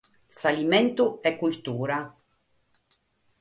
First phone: s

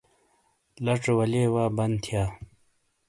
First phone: l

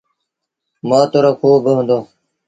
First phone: m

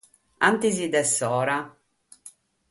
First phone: a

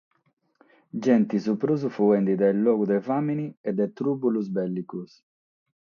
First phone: d͡ʒ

